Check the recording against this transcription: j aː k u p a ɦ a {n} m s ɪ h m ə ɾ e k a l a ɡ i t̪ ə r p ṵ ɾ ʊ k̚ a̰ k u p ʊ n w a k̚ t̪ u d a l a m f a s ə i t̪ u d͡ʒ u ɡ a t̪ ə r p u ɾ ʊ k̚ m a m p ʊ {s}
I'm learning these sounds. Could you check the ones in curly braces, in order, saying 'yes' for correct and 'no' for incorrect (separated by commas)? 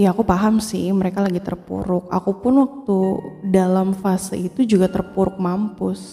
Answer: no, yes